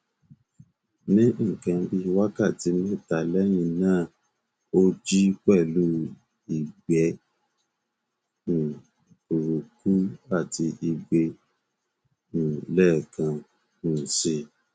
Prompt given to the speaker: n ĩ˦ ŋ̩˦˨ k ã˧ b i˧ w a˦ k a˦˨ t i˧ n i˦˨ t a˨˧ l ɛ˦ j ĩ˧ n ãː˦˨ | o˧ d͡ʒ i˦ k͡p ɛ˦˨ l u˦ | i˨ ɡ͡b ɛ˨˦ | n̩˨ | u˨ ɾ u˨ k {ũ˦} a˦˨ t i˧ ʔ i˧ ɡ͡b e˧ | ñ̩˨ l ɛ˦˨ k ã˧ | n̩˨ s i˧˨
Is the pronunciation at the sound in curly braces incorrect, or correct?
incorrect